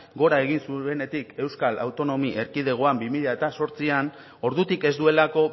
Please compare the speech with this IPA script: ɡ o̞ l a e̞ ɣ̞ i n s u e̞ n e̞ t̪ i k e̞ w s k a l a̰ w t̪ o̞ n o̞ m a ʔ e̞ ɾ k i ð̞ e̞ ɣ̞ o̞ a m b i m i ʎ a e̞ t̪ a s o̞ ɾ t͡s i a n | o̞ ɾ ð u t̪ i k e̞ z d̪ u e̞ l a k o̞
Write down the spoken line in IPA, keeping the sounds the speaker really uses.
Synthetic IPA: ɡ o̞ ɾ a e̞ ɣ̞ i n s u e̞ n e̞ t̪ i k e̞ w s k a l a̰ w t̪ o̞ n o̞ m i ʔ e̞ ɾ k i ð̞ e̞ ɣ̞ o̞ a m b i m i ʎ a e̞ t̪ a s o̞ ɾ t͡s i a n | o̞ ɾ ð u t̪ i k e̞ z d̪ u e̞ l a k o̞